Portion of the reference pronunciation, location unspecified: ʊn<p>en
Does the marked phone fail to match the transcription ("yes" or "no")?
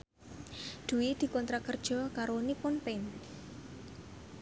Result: no